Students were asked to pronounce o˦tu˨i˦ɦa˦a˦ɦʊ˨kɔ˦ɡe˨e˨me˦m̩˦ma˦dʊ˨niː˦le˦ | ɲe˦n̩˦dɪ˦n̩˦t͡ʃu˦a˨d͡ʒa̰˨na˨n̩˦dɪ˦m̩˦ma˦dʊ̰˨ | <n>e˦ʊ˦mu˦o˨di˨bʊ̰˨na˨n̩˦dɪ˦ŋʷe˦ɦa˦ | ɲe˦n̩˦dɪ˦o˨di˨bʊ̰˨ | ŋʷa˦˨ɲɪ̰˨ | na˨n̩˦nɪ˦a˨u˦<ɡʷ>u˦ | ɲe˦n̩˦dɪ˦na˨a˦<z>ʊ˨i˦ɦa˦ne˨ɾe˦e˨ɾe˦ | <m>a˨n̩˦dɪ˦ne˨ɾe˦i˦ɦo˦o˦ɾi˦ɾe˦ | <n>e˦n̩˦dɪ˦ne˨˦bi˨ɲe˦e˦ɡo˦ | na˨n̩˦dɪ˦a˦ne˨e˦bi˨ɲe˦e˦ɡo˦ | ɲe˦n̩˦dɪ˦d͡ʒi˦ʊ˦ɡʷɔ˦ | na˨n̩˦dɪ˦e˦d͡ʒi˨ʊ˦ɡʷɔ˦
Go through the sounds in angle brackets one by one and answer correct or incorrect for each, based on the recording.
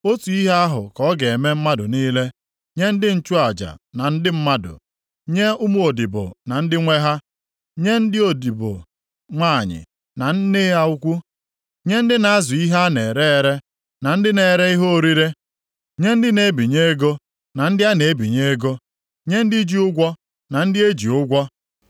incorrect: ɲ, incorrect: kʷ, correct, incorrect: n, incorrect: ɲ

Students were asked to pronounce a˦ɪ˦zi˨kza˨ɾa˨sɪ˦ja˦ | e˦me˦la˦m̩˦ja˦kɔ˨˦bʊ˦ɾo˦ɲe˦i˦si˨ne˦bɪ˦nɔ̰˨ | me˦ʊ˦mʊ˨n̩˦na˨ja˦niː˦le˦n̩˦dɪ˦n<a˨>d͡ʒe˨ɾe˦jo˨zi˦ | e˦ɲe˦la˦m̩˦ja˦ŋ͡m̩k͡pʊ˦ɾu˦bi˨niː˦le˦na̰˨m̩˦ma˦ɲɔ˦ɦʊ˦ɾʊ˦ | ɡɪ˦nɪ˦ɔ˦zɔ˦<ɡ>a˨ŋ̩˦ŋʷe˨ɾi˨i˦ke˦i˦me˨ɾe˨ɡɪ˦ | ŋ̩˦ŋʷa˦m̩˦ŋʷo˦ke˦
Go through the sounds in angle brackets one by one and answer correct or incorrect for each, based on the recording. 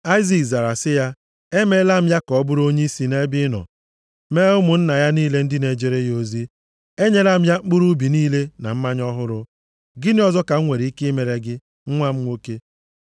incorrect: e˨, incorrect: k

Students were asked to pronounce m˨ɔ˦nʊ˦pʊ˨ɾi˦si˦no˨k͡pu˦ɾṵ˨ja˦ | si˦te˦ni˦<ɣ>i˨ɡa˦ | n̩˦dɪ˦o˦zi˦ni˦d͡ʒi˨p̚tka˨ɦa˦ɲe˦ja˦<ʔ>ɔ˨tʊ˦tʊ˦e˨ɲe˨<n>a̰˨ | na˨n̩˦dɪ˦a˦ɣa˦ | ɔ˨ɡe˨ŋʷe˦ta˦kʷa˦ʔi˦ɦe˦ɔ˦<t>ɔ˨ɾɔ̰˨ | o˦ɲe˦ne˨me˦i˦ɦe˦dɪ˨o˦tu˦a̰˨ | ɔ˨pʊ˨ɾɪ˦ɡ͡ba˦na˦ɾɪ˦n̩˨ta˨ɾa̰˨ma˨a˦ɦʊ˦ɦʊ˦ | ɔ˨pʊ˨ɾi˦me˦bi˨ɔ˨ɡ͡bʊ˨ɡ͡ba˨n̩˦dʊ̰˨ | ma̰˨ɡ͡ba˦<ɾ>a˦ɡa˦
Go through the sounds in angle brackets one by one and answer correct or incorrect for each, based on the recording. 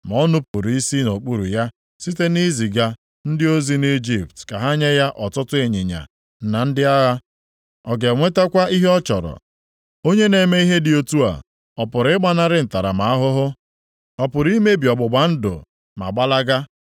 incorrect: z, correct, incorrect: ɲ, incorrect: t͡ʃ, incorrect: l

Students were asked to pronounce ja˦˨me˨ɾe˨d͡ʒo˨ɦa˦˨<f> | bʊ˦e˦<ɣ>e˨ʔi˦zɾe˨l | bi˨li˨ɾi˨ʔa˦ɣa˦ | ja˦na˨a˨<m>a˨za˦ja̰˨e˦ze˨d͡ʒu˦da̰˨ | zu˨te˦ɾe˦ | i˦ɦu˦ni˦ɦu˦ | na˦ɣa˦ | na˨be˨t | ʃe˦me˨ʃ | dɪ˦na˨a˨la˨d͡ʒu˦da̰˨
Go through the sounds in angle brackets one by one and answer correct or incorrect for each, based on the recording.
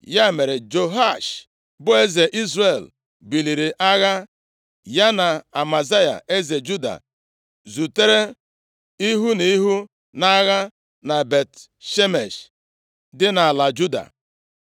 incorrect: ʃ, incorrect: z, correct

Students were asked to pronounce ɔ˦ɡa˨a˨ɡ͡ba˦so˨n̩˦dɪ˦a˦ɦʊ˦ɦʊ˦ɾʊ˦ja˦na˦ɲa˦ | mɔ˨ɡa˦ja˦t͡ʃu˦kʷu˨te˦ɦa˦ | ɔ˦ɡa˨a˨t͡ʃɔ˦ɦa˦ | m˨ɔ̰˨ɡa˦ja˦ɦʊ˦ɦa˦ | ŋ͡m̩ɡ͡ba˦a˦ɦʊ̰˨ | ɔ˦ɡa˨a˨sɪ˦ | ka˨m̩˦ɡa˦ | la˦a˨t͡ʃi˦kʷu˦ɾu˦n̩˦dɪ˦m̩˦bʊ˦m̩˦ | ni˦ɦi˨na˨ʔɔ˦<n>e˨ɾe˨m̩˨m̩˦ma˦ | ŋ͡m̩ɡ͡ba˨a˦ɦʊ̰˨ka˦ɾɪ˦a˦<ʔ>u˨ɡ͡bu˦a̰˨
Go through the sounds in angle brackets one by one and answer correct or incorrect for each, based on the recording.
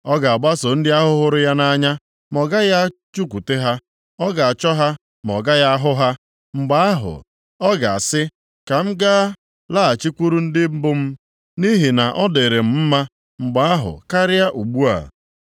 incorrect: d, correct

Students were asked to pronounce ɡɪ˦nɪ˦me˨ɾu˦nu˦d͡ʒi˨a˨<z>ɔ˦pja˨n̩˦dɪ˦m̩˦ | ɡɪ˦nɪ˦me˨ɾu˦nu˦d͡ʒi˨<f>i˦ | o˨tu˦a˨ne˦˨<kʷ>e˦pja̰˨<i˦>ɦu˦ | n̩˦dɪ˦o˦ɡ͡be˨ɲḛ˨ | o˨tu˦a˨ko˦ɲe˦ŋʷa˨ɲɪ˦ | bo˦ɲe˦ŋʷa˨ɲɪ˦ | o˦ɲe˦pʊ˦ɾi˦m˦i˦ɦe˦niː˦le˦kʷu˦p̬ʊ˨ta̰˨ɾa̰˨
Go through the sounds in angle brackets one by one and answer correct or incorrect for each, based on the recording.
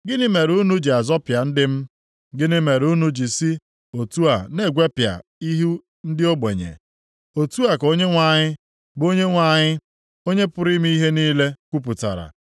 correct, incorrect: s, incorrect: ɡʷ, correct

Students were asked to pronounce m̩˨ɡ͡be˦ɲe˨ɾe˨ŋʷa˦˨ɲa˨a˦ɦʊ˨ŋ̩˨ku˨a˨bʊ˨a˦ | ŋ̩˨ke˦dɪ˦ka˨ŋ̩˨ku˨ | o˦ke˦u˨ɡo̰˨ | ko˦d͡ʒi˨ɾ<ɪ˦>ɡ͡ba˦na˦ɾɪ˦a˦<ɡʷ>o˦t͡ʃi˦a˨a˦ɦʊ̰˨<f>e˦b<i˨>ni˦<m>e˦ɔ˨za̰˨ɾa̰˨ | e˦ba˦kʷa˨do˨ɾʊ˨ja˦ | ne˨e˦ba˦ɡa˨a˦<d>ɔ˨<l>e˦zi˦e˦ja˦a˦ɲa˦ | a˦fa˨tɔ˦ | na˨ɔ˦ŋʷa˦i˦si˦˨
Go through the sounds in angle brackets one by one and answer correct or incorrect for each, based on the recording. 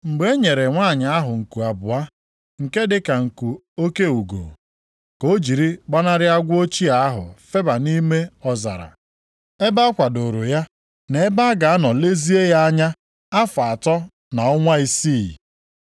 incorrect: i˦, correct, correct, incorrect: a˨, correct, incorrect: n, correct

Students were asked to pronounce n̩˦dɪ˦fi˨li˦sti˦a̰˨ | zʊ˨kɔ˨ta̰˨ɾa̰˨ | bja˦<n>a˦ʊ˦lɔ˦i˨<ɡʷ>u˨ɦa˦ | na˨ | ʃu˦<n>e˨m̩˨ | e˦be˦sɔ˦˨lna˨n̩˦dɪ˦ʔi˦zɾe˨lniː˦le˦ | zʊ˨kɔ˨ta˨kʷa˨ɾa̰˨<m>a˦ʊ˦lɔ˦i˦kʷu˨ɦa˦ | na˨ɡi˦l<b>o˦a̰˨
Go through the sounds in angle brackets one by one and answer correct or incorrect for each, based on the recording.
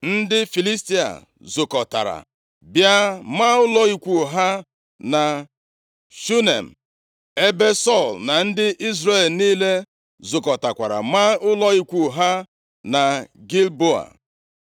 incorrect: m, incorrect: kʷ, correct, correct, correct

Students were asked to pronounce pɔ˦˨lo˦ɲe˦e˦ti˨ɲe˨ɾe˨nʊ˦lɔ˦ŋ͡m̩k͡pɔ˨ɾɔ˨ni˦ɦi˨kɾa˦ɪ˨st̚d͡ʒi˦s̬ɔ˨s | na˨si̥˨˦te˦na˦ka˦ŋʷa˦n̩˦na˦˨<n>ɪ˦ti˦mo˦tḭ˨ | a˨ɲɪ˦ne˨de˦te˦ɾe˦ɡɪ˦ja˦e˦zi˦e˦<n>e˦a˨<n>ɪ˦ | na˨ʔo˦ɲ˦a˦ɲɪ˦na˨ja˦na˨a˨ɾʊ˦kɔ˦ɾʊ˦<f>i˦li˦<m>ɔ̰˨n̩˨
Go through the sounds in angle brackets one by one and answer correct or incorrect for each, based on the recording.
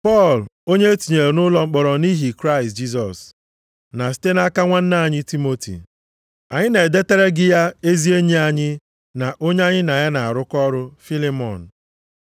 incorrect: ɲ, incorrect: ɲ, incorrect: ɲ, correct, correct

